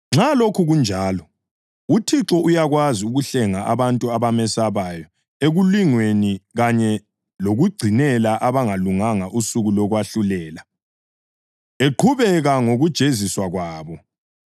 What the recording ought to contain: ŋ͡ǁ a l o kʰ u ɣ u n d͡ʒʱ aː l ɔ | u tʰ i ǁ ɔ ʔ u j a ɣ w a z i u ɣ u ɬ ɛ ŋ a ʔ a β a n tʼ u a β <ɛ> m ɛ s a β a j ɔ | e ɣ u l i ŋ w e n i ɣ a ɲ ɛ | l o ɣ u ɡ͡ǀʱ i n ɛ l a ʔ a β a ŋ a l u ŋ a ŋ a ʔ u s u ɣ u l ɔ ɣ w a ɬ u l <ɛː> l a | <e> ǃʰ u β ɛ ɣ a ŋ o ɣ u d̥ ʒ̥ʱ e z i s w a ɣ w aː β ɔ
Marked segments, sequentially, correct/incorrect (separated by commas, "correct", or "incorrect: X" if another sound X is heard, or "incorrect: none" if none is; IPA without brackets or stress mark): incorrect: a, correct, correct